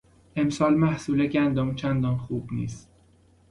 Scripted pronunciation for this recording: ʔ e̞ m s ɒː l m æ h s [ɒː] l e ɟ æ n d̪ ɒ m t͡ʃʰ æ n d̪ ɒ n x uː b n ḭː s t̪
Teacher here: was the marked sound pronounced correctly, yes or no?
no